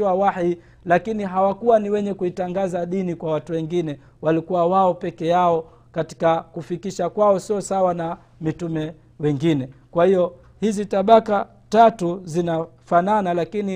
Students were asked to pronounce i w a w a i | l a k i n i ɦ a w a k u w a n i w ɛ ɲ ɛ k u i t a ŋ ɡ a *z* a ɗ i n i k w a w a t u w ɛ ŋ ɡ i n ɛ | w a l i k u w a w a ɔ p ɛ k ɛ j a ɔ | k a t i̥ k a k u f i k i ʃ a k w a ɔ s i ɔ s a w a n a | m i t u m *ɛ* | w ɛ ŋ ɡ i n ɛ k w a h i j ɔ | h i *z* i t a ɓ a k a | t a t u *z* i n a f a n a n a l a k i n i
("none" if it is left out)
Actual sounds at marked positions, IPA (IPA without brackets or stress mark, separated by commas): z, ɛ, z, z